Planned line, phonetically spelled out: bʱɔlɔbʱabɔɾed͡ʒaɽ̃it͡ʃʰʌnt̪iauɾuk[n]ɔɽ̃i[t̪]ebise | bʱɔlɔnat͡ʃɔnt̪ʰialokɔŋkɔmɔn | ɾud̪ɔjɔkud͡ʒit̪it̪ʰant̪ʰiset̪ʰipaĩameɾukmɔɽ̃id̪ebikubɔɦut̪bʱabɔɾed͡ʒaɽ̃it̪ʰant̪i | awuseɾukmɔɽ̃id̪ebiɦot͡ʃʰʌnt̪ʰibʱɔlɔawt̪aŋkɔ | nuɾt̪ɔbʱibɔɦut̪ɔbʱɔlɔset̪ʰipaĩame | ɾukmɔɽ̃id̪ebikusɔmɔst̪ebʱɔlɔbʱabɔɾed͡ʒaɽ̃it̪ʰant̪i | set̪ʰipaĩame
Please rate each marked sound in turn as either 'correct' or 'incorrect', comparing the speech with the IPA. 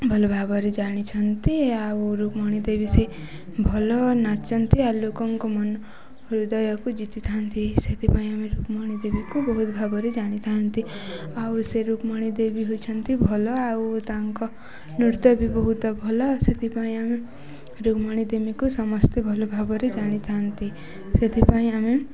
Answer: incorrect, incorrect

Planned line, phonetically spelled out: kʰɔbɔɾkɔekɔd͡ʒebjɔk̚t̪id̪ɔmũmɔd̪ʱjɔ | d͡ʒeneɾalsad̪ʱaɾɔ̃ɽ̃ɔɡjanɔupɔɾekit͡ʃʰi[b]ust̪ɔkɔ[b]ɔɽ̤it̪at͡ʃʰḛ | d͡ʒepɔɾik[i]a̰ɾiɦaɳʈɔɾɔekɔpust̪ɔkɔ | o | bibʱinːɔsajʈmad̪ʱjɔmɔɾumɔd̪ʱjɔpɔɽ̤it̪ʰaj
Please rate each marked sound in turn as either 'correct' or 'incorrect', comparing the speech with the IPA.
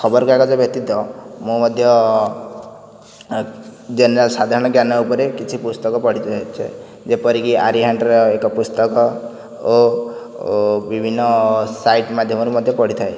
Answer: incorrect, incorrect, correct

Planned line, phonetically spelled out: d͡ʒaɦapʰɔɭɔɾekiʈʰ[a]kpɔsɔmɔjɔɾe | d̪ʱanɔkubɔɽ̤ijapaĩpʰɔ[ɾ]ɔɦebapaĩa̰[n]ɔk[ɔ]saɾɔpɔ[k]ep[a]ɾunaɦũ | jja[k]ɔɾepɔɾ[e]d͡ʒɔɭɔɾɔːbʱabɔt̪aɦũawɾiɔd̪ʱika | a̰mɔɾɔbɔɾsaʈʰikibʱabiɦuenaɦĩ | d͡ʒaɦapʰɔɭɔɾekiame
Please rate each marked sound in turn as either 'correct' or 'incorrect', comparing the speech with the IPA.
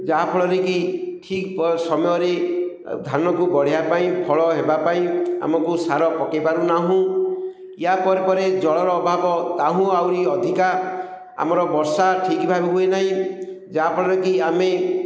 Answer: incorrect, incorrect, incorrect, incorrect, correct, correct, incorrect, correct

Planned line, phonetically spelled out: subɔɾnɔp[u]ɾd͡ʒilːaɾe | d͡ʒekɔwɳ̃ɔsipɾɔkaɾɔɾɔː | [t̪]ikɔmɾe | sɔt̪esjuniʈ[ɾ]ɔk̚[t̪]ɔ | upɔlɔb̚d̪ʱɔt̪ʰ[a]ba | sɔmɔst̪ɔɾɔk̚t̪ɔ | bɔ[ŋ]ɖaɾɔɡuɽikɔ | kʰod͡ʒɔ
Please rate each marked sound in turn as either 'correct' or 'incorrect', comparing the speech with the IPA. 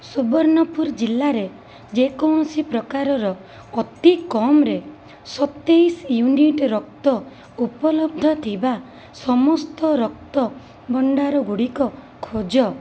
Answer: correct, correct, correct, correct, incorrect, incorrect

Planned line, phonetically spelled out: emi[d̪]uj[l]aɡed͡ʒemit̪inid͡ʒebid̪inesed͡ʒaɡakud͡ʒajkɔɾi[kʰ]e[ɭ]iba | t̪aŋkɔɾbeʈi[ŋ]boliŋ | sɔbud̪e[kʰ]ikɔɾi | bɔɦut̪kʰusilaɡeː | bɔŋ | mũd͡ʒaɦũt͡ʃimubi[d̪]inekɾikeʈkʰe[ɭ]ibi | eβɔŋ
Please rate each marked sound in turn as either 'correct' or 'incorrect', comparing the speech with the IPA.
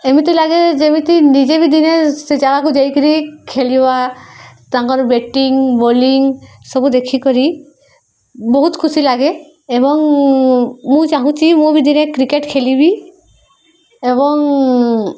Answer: incorrect, correct, correct, incorrect, correct, correct, correct, incorrect

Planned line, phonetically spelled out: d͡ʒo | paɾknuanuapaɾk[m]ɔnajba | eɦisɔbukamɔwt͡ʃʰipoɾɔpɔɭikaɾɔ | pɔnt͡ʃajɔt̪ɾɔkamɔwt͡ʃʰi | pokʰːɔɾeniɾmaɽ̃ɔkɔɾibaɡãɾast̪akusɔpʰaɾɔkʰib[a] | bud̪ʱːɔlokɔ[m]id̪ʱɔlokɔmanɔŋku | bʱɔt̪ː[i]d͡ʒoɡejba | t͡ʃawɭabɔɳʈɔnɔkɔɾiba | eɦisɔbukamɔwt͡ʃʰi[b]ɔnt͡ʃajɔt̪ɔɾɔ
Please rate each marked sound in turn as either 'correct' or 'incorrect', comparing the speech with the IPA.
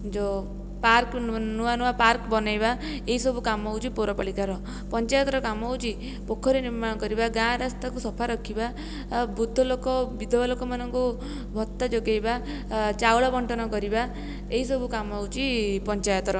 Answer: incorrect, correct, incorrect, incorrect, incorrect

